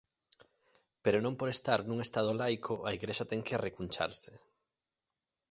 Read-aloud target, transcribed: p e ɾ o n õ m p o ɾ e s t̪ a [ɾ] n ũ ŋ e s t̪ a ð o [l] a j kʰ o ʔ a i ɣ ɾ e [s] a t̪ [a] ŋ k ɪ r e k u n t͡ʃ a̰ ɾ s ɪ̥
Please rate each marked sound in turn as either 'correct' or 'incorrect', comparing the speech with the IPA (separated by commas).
correct, correct, incorrect, incorrect